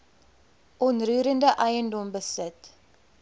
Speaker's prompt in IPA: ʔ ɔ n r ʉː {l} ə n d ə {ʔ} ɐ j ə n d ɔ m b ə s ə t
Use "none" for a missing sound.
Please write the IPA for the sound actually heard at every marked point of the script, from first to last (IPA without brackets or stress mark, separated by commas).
ɾ, ʔ